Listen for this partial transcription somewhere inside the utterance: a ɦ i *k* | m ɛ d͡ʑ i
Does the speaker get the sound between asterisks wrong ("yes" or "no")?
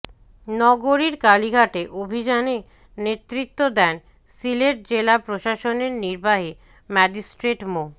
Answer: yes